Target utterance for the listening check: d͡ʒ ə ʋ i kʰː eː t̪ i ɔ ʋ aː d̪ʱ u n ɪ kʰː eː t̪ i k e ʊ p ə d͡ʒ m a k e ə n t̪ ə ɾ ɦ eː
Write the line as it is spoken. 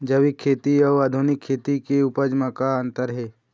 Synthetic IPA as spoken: d͡ʒ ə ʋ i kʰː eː t̪ i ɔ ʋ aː d̪ʱ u n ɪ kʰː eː t̪ i k e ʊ p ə d͡ʒ m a k a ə n t̪ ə ɾ ɦ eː